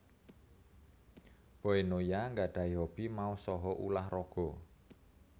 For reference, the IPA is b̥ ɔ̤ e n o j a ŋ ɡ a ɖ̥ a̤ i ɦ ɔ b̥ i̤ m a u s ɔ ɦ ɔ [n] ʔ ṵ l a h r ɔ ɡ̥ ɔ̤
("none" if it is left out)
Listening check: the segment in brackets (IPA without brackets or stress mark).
none